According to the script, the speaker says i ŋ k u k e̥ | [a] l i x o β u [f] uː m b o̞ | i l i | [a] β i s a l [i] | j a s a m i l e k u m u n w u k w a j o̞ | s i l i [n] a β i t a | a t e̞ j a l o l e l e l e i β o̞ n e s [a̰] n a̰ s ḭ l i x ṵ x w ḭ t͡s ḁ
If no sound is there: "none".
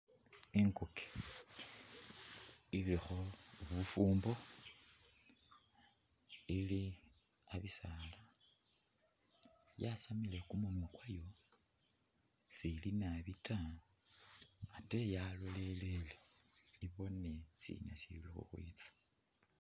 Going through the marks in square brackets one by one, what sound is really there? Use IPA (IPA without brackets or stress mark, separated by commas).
i, f, a, a, n, ḭ